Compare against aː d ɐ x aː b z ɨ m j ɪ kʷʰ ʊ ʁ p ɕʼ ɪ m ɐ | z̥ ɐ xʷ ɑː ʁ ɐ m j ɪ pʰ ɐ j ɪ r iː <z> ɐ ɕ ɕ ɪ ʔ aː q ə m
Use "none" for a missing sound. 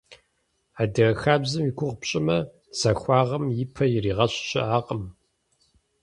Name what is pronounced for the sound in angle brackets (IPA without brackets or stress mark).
ʁ